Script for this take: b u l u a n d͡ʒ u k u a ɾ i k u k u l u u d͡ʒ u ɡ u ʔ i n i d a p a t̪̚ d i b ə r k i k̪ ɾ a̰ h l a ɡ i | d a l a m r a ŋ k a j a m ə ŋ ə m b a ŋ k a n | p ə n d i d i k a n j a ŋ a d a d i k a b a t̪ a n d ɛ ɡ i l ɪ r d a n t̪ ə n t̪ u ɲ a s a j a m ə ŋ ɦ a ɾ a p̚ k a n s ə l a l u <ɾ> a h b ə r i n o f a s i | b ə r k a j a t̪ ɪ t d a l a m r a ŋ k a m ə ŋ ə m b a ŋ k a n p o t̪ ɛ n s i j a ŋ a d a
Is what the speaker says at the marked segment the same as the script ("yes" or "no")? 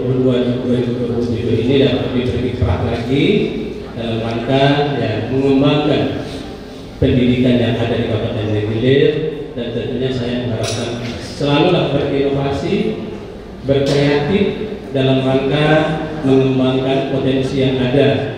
no